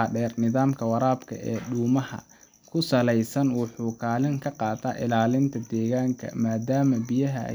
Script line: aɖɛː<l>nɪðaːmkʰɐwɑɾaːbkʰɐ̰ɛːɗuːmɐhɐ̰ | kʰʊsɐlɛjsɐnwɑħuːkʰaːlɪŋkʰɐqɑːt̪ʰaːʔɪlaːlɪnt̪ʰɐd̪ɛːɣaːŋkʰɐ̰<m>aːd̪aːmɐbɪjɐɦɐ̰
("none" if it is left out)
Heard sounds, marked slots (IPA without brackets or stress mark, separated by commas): r, m